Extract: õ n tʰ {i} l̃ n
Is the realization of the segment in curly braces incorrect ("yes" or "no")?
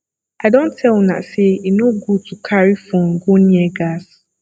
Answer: yes